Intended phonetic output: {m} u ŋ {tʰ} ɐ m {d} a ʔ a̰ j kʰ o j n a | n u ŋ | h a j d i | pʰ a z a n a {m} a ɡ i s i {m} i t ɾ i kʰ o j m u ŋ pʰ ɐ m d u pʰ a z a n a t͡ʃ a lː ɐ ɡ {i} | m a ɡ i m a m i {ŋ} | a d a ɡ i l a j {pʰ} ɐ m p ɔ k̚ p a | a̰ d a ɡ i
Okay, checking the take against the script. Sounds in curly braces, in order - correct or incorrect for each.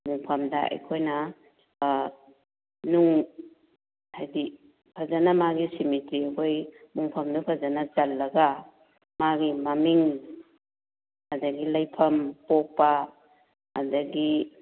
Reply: correct, incorrect: pʰ, correct, correct, correct, incorrect: a, correct, correct

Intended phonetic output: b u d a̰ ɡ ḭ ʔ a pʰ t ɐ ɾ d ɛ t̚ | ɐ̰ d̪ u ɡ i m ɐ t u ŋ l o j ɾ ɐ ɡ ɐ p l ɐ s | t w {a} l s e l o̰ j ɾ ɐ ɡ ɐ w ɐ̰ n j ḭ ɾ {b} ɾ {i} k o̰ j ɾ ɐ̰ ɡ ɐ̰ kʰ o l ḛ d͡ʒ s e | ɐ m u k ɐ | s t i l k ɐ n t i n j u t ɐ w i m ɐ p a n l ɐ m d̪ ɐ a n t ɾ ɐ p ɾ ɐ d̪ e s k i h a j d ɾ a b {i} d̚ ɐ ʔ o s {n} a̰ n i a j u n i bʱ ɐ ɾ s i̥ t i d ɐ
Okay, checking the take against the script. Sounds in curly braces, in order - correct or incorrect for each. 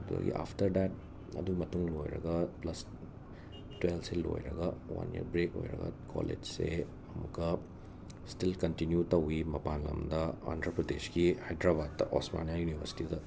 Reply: incorrect: e, correct, incorrect: e, incorrect: a, incorrect: m

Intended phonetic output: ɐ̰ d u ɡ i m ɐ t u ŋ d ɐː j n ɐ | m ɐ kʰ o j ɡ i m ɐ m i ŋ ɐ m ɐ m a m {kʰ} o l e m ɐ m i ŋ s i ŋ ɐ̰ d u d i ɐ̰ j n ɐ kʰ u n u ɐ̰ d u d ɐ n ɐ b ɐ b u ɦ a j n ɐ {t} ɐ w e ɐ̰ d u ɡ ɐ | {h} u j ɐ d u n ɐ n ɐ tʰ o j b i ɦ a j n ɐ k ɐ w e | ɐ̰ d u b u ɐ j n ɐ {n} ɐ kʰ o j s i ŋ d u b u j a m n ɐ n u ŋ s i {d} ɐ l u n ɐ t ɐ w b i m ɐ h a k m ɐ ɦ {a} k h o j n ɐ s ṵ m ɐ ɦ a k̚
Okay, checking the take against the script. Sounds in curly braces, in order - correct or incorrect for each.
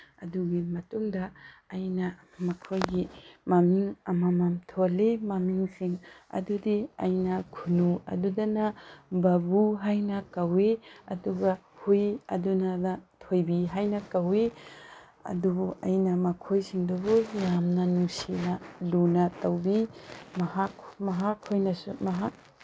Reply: incorrect: tʰ, incorrect: k, correct, incorrect: m, incorrect: n, correct

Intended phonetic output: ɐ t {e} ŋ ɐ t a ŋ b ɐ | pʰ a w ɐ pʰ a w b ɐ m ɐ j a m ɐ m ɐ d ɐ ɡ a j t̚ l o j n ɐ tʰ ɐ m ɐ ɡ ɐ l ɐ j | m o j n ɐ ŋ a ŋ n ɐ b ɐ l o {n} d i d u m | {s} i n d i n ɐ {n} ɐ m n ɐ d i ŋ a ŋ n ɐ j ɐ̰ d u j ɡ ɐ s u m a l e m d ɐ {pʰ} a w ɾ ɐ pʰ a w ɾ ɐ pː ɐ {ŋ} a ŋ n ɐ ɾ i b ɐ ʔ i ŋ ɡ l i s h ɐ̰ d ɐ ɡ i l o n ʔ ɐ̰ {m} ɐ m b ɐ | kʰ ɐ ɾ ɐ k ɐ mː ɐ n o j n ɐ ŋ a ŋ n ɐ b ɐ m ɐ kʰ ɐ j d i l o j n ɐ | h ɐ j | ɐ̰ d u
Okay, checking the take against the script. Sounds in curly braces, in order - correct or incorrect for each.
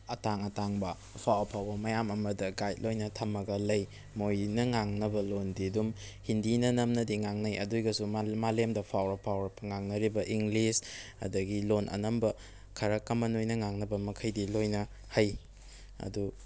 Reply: incorrect: a, correct, incorrect: h, correct, correct, correct, incorrect: n

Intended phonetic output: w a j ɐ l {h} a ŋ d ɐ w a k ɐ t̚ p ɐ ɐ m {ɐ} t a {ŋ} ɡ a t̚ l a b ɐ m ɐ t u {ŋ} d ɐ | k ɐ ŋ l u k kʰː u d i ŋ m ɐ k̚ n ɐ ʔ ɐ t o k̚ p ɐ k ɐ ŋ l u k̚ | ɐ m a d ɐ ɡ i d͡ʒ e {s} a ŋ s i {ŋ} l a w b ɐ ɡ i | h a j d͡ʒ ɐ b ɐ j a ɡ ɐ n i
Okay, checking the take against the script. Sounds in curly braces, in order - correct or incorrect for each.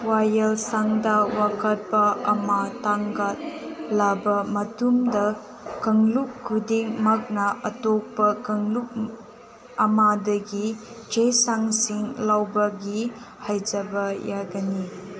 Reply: incorrect: s, incorrect: a, correct, incorrect: m, correct, correct

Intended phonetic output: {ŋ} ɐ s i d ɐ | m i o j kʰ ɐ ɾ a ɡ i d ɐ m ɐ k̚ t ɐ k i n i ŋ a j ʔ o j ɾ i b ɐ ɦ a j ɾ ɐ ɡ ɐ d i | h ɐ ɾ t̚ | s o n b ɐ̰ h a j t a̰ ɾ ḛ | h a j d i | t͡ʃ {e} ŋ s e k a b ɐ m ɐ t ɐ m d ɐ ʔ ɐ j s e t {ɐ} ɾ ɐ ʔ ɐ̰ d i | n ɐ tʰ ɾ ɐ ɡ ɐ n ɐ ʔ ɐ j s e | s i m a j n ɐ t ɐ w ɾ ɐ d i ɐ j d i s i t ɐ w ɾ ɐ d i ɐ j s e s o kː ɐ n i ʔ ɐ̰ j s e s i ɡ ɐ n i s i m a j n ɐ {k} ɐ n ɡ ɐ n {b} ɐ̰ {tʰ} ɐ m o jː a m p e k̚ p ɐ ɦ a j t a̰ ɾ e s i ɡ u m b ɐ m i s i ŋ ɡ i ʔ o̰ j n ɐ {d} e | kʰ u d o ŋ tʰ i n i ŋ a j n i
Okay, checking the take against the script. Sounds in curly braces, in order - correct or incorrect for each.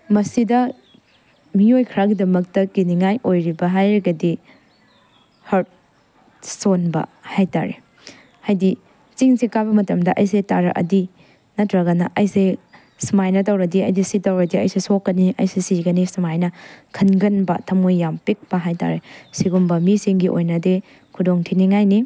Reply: incorrect: m, incorrect: i, incorrect: a, incorrect: kʰ, correct, correct, correct

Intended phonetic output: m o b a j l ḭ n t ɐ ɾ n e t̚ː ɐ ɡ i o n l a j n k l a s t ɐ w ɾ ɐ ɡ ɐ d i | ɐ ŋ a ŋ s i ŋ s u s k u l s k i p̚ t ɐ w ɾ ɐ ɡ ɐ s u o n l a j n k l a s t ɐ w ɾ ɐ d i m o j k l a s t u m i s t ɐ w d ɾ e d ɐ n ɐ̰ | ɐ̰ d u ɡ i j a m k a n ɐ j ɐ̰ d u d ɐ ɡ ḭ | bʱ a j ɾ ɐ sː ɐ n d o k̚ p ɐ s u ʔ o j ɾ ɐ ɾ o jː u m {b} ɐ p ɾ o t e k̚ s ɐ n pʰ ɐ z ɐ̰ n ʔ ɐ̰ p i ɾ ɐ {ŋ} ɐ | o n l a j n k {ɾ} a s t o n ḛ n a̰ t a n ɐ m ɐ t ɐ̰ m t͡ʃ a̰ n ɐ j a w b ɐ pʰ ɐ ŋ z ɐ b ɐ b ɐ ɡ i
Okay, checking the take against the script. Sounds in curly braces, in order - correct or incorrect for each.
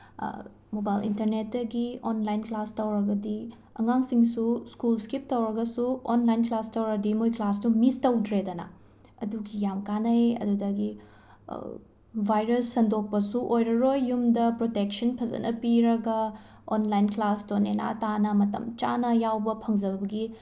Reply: incorrect: d, incorrect: ɡ, incorrect: l

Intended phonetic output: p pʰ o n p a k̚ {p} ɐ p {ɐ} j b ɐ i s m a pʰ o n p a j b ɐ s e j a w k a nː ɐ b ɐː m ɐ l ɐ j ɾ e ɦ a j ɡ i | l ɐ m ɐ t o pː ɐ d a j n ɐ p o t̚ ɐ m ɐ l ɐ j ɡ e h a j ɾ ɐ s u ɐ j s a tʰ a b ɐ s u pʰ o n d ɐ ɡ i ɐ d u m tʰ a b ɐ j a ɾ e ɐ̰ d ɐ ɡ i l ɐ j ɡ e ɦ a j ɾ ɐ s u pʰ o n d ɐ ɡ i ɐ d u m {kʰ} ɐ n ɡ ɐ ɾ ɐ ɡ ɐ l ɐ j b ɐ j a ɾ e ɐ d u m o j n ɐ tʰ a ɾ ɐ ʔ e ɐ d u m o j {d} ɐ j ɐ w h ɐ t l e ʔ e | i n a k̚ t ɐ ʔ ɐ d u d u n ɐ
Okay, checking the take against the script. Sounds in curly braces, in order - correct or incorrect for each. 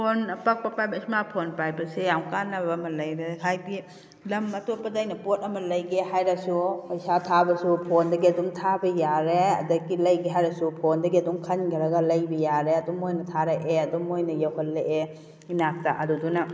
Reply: correct, incorrect: a, correct, incorrect: n

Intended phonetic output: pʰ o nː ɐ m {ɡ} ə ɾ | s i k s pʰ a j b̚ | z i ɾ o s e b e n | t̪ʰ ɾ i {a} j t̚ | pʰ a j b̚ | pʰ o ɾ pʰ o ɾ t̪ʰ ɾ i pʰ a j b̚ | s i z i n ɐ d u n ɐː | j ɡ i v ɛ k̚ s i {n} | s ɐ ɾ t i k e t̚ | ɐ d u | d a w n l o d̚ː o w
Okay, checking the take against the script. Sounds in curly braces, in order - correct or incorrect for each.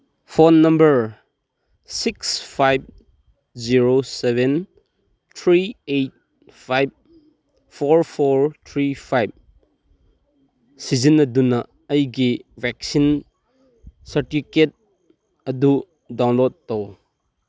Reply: incorrect: b, incorrect: e, correct

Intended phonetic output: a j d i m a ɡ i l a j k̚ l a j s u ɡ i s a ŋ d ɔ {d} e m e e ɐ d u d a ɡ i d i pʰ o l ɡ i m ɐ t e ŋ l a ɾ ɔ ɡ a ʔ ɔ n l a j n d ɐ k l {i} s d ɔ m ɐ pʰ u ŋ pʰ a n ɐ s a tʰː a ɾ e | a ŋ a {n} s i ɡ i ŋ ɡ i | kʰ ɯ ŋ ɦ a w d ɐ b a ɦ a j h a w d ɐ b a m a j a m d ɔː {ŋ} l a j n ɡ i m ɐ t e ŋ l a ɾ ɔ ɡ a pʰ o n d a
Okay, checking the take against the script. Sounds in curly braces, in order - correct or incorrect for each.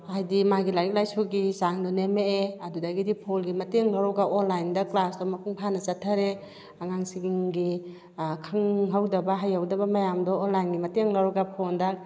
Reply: incorrect: n, incorrect: a, incorrect: ŋ, incorrect: n

